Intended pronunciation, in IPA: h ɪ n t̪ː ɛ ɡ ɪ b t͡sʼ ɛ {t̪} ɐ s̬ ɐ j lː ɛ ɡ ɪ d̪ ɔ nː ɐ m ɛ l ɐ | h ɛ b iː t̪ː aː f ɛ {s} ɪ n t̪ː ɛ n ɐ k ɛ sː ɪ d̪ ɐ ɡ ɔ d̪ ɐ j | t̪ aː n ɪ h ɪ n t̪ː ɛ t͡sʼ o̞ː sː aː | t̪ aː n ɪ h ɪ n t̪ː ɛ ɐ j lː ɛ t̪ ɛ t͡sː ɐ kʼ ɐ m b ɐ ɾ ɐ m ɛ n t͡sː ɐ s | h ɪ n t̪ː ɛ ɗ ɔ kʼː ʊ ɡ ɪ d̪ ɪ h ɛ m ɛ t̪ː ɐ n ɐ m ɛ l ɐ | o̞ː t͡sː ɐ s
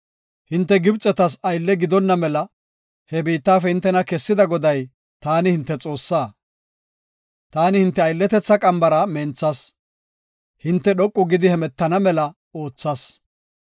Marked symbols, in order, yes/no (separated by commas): yes, no